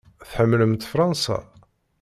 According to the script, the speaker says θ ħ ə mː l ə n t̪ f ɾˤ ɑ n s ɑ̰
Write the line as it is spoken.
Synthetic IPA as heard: θ ħ ə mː l ə m t̪ f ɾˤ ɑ n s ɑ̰